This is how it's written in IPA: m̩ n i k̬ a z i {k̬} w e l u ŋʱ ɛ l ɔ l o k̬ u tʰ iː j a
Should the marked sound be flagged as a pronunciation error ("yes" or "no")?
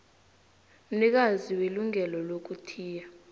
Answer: yes